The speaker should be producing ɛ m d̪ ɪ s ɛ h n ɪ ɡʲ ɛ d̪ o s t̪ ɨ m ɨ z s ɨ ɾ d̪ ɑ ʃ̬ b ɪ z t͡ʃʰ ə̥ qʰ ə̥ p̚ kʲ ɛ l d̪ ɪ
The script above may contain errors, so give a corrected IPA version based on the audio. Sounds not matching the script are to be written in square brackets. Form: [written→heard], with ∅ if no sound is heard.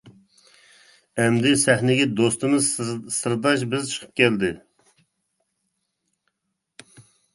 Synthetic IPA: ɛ m d̪ ɪ s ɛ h n ɪ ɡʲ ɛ d̪ o s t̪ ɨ m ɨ z s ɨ ɾ d̪ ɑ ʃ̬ b ɪ z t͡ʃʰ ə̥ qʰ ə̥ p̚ kʲ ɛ l d̪ ɪ